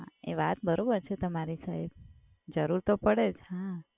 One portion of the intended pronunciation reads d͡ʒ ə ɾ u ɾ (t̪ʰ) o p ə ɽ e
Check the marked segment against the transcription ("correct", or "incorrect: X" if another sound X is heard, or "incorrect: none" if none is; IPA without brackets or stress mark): incorrect: t̪